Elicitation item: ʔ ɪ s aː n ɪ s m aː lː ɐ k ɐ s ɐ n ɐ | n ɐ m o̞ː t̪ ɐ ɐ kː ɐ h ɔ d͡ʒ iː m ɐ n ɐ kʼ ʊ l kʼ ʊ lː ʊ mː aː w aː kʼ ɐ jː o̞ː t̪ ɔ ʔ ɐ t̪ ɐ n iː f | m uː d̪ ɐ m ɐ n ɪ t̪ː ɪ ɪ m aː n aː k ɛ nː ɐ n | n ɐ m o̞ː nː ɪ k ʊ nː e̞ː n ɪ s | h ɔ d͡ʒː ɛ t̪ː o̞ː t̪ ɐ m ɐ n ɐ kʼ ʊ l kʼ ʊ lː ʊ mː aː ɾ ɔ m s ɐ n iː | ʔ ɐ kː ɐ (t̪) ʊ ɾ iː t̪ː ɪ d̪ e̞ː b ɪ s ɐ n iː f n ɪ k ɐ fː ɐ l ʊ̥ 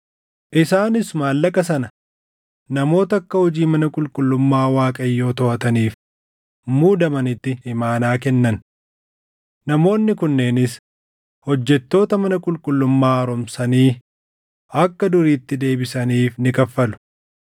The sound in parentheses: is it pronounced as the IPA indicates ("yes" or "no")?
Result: no